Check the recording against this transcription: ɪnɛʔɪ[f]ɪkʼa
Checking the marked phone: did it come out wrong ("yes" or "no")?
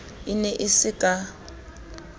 yes